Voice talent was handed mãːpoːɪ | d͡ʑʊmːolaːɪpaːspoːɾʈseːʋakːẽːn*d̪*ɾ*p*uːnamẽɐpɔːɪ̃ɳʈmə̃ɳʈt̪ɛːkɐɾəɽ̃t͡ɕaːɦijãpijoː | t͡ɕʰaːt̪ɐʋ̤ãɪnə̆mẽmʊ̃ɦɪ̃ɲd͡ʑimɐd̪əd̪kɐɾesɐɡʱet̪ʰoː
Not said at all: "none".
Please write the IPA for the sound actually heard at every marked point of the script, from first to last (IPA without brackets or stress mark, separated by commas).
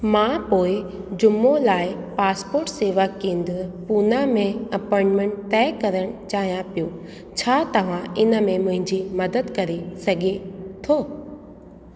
d̪, p